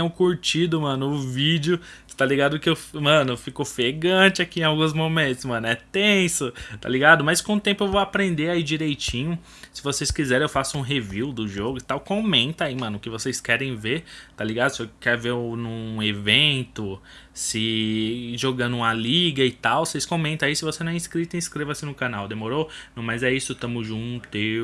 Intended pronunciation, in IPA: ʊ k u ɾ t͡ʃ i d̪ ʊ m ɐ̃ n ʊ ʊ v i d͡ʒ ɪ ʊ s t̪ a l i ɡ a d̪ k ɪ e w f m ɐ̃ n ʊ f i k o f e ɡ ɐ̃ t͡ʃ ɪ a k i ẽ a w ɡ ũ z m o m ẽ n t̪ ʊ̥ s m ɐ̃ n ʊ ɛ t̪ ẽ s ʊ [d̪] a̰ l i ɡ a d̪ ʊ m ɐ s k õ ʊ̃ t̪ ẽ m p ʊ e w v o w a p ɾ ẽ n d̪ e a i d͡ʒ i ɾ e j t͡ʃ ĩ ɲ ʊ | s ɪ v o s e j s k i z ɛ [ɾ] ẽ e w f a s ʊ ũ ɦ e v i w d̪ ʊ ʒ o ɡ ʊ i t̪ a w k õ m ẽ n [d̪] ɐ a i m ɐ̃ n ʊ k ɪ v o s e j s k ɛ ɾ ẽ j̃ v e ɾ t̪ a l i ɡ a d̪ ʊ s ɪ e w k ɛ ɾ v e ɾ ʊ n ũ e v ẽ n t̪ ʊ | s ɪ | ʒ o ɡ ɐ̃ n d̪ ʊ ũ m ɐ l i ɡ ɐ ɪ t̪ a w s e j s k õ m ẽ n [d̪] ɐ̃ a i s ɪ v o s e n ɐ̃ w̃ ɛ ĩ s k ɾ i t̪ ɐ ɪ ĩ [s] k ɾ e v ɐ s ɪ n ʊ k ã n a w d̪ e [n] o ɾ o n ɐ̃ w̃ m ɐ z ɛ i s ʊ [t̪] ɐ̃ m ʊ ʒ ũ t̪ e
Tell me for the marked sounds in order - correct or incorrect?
incorrect, correct, incorrect, incorrect, correct, incorrect, correct

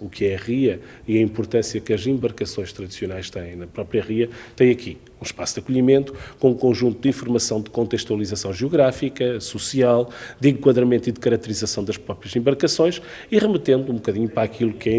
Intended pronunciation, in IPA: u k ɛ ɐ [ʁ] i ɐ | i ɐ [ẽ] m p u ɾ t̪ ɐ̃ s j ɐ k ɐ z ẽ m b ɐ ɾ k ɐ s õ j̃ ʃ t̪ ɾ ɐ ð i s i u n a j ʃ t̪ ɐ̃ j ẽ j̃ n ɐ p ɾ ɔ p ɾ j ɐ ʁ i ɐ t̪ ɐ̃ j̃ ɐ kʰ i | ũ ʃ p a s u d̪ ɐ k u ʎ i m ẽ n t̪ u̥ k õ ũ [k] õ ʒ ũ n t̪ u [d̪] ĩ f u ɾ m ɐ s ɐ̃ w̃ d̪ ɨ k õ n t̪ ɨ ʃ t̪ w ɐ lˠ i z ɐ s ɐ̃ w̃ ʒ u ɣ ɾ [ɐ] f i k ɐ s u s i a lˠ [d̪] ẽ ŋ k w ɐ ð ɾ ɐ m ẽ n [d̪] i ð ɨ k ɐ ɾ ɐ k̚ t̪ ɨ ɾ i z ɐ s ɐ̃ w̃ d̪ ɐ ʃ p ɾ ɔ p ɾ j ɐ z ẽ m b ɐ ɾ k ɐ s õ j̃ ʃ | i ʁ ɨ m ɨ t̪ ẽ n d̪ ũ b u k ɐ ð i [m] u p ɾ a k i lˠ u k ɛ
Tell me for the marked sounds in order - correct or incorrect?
correct, incorrect, correct, correct, incorrect, correct, incorrect, incorrect

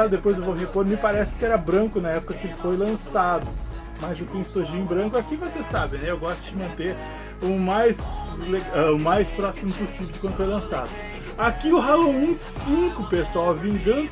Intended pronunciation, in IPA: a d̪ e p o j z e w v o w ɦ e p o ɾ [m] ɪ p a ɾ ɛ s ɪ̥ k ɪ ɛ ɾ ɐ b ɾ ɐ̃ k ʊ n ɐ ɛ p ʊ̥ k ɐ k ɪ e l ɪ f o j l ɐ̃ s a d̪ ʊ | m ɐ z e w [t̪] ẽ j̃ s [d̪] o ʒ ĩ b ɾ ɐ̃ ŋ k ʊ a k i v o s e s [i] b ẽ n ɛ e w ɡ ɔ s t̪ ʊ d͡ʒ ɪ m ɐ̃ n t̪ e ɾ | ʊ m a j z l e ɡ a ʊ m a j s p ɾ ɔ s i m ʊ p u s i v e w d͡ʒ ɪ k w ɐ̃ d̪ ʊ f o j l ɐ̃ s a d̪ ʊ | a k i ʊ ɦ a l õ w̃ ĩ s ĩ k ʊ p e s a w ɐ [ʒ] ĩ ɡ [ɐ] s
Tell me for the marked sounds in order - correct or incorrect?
correct, correct, incorrect, incorrect, incorrect, incorrect

